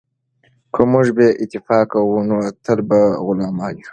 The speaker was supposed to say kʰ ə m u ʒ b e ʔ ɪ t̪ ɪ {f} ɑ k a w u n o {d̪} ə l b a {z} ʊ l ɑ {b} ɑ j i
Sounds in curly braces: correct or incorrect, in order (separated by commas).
correct, incorrect, incorrect, incorrect